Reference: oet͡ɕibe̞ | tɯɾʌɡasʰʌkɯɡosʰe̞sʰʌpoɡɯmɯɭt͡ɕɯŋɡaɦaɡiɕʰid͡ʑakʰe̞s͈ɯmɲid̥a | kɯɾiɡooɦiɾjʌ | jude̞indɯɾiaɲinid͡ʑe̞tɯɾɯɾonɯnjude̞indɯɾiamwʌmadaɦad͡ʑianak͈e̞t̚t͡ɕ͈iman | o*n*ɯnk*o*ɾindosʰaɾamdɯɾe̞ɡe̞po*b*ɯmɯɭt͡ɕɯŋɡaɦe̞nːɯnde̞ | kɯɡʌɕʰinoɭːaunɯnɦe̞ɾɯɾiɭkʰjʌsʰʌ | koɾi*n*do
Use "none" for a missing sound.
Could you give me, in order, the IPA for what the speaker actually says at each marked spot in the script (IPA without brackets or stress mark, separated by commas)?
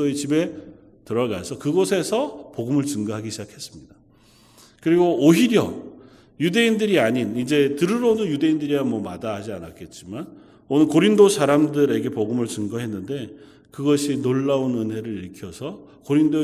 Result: n, o, ɡ, n